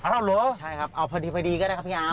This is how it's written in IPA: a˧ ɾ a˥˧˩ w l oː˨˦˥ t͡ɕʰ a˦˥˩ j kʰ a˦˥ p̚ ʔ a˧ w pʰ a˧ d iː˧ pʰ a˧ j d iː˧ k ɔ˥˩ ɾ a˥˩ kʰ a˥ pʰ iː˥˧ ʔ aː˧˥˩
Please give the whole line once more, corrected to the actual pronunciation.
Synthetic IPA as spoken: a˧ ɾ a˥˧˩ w l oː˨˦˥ t͡ɕʰ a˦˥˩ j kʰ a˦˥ p̚ ʔ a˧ w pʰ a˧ d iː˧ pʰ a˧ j d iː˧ k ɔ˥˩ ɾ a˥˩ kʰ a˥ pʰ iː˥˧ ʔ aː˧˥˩